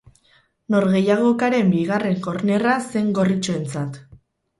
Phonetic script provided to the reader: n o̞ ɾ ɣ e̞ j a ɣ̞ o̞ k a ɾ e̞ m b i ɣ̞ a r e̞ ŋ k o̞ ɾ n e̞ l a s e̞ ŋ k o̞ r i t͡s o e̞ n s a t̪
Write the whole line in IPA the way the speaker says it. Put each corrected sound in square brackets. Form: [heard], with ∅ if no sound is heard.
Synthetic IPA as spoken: n o̞ ɾ ɣ e̞ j a ɣ̞ o̞ k a ɾ e̞ m b i ɣ̞ a r e̞ ŋ k o̞ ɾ n e̞ [r] a s e̞ ŋ [ɡ] o̞ r i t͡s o e̞ n [t͡s] a t̪